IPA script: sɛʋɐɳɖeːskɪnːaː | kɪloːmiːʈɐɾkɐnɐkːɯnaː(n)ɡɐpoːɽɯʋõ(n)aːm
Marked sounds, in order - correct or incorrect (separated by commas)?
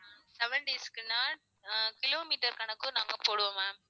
incorrect, incorrect